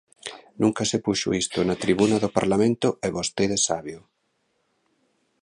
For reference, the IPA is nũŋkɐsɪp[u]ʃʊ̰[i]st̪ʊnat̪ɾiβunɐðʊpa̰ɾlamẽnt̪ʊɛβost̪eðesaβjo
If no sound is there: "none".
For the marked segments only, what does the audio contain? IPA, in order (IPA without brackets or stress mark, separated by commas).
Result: u, i